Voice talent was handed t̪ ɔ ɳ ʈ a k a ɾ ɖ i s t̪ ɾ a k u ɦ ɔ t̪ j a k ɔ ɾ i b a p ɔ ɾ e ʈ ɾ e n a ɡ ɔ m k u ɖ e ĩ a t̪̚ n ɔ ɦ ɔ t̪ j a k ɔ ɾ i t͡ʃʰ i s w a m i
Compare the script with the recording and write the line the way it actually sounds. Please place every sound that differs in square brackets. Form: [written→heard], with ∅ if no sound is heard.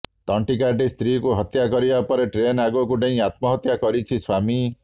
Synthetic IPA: t̪ ɔ ɳ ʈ [a→i] k a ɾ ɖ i s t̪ ɾ [a→i] k u ɦ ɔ t̪ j a k ɔ ɾ i b a p ɔ ɾ e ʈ ɾ e n a ɡ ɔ [m→∅] k u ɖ e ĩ a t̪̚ [n→m] ɔ ɦ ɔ t̪ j a k ɔ ɾ i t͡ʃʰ i s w a m i